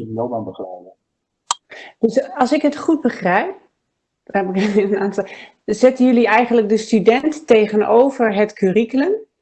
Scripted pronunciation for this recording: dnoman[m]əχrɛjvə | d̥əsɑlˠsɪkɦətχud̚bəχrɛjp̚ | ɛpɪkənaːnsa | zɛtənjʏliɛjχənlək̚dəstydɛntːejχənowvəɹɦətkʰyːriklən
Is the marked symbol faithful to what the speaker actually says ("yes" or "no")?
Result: no